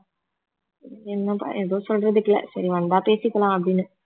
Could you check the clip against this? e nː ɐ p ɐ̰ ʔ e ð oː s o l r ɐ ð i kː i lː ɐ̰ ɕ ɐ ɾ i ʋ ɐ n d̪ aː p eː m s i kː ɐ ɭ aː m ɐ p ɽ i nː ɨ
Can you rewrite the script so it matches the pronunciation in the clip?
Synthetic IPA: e nː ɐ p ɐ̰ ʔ e ð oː s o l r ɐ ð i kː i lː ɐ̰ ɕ ɐ ɾ i ʋ ɐ n d̪ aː p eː s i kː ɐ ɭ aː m ɐ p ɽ i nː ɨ